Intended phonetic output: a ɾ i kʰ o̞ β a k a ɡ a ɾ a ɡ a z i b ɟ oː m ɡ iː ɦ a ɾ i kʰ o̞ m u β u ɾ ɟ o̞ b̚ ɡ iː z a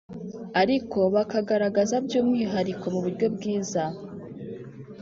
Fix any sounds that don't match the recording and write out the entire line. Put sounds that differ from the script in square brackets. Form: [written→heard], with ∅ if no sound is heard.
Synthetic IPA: a ɾ i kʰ o̞ β a k a ɡ a ɾ a ɡ a z [i→a] b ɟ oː m [ɡ→ŋ] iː ɦ a ɾ i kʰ o̞ m u β u ɾ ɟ o̞ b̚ ɡ iː z a